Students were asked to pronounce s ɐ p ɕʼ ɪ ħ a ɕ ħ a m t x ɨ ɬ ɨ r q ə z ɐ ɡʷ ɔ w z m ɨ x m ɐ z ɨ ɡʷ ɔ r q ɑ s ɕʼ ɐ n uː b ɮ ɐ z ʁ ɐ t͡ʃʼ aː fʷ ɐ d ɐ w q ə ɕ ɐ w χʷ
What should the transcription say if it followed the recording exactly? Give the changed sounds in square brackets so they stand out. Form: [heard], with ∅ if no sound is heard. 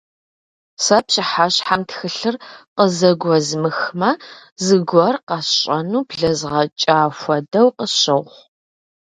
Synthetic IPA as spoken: s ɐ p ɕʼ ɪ ħ a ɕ ħ a m t x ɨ ɬ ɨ r q ə z ɐ ɡʷ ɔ [∅] z m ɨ x m ɐ z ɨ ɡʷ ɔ r q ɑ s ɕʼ ɐ n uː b ɮ ɐ z ʁ ɐ t͡ʃʼ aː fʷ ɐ d ɐ w q ə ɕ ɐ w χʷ